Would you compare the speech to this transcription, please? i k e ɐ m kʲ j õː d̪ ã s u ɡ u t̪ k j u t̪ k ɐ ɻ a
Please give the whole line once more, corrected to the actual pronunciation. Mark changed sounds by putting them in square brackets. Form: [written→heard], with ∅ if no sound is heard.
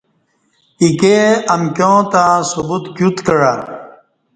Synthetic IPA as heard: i k e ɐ m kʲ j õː [d̪→t̪] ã s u [ɡ→b] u t̪ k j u t̪ k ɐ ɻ a